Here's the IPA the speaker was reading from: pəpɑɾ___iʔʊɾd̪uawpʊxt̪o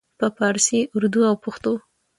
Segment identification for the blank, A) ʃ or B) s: B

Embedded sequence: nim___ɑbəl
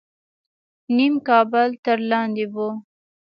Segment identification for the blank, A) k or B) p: A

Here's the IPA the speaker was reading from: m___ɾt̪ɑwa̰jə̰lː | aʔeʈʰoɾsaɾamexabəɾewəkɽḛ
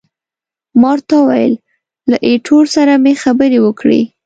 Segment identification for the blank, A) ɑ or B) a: A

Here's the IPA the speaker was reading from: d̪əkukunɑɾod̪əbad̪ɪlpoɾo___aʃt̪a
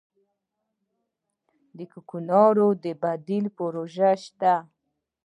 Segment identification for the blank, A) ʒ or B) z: A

